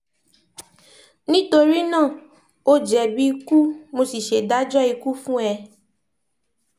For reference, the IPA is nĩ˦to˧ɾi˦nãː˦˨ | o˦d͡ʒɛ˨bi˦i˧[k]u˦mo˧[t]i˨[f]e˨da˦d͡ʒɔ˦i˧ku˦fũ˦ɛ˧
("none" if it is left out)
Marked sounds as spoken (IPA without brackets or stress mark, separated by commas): k, s, ʃ